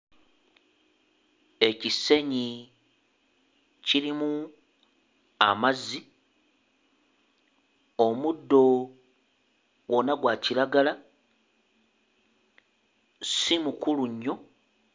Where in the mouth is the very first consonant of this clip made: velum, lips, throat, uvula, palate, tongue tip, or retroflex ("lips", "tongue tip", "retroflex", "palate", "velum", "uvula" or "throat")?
palate